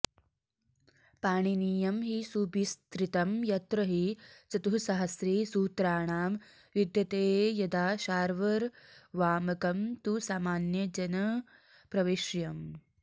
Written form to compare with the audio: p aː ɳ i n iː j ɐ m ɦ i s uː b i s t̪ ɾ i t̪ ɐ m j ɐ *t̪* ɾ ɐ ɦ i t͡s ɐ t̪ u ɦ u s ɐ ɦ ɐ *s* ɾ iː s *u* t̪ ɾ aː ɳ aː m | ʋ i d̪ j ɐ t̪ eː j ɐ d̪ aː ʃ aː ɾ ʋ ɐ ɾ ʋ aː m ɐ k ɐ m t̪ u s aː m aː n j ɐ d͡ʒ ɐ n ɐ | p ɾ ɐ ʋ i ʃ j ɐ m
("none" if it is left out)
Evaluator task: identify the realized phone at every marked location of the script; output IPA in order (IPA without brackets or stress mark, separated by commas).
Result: t̪, s, uː